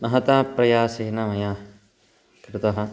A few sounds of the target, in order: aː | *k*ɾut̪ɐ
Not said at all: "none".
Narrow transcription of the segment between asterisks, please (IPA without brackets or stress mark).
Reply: k